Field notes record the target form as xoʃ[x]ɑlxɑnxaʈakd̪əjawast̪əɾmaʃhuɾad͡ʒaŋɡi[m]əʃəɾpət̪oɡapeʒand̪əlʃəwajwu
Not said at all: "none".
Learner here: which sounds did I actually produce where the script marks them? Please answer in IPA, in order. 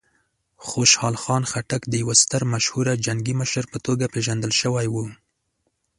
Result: h, m

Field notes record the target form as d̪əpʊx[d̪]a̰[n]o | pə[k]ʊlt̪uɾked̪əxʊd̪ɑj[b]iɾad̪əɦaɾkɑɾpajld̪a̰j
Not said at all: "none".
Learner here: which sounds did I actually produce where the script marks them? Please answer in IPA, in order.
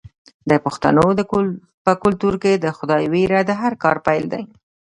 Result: t̪, n, k, w

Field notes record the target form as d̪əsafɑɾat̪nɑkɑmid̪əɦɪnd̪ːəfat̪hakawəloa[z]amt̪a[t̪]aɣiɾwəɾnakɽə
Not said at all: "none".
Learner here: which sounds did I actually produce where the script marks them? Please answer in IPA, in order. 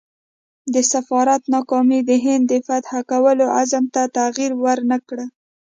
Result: z, t̪

